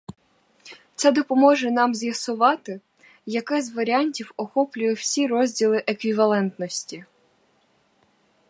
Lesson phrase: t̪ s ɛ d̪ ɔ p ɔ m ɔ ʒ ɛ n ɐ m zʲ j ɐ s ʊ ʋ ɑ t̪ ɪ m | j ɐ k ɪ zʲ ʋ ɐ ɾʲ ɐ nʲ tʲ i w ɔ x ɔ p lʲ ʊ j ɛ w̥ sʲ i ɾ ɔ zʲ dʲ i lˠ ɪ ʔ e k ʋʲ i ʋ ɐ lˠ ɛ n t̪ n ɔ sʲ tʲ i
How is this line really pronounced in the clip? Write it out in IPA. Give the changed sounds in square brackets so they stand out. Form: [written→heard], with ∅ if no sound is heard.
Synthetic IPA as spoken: t̪ s ɛ d̪ ɔ p ɔ m ɔ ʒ ɛ n [ɐ→ɑ] m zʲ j ɐ s ʊ ʋ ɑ t̪ ɪ [m→∅] | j ɐ k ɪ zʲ ʋ ɐ ɾʲ [ɐ→ɑ] nʲ tʲ i w ɔ x ɔ p lʲ ʊ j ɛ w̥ sʲ i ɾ ɔ zʲ dʲ i lˠ ɪ ʔ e k ʋʲ i ʋ ɐ lˠ ɛ n t̪ n ɔ sʲ tʲ i